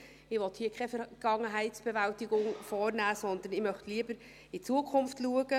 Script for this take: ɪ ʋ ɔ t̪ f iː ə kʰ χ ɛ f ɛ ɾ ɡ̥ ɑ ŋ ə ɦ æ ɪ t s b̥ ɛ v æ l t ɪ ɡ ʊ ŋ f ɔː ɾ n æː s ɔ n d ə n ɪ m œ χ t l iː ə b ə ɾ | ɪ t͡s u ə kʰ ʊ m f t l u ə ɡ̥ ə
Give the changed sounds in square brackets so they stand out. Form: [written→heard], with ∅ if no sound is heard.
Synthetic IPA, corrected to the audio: ɪ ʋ ɔ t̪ [f→h] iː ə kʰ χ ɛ f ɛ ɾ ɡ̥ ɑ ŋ ə ɦ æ ɪ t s b̥ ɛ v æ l t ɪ ɡ ʊ ŋ f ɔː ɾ n æː s ɔ n d ə n ɪ m œ χ t l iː ə b ə ɾ | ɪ t͡s u ə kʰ ʊ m f t l u ə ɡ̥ ə